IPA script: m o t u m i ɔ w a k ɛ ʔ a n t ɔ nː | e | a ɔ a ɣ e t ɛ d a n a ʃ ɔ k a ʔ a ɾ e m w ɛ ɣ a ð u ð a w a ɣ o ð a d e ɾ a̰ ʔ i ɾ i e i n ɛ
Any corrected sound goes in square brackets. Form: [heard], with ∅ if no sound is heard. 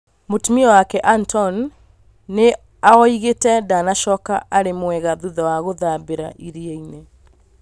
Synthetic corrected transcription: m o t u m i ɔ w a k ɛ ʔ a n t ɔ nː | e | a ɔ [i] ɣ e t ɛ d a n a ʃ ɔ k a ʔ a ɾ e m w ɛ ɣ a ð u ð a w a ɣ o ð a [b] e ɾ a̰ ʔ i ɾ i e i n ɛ